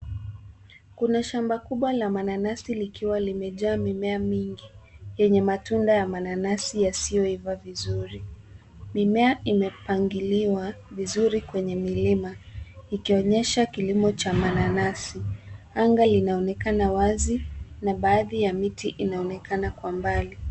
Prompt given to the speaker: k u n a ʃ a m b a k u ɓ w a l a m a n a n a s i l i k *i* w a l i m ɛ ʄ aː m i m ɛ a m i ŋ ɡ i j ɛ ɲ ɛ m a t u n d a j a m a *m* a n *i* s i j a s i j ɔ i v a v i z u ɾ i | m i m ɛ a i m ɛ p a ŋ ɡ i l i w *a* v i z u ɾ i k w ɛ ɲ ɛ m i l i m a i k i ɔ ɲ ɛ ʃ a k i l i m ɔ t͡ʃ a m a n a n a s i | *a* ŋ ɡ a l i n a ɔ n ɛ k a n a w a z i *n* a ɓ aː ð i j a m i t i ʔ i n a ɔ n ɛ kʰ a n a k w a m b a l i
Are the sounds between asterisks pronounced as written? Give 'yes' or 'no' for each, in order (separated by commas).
yes, no, no, yes, yes, yes